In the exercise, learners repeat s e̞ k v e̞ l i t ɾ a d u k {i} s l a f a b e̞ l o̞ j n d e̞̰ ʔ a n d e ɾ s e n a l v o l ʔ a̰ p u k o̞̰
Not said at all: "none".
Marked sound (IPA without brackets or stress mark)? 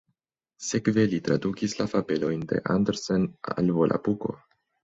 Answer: i